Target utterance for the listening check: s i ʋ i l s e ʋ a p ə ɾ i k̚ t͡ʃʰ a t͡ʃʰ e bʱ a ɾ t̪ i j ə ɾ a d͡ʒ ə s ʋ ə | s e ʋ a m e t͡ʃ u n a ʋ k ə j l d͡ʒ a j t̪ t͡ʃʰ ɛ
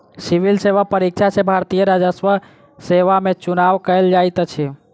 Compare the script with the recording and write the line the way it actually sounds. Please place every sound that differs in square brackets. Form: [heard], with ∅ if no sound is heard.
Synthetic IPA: s i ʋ i l s e ʋ a p ə ɾ i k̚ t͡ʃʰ a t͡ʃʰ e bʱ a ɾ t̪ i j ə ɾ a d͡ʒ ə s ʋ ə | s e ʋ a m e t͡ʃ u n a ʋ k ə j l d͡ʒ a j t̪ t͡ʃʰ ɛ